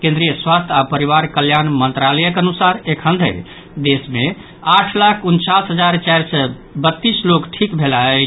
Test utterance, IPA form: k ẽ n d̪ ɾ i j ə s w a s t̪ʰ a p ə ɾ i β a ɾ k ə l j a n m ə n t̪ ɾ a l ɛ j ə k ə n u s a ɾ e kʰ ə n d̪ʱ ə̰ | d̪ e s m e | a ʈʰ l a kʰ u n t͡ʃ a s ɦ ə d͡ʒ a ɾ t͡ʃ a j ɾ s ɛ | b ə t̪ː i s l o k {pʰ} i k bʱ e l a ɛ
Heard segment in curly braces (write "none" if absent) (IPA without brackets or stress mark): ʈʰ